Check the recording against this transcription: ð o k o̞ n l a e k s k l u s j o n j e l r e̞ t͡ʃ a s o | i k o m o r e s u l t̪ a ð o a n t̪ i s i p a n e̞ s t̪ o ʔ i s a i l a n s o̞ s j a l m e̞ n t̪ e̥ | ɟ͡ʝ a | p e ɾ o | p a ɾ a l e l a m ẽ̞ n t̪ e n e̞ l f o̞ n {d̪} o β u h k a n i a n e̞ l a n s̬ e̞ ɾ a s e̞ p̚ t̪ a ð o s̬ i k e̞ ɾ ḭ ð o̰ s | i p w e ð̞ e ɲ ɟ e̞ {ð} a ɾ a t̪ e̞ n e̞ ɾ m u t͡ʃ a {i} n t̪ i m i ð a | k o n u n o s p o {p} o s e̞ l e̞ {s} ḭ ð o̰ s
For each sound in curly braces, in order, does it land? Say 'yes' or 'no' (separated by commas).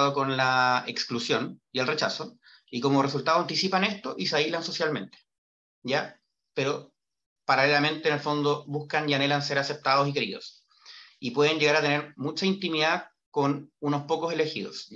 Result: yes, no, yes, no, no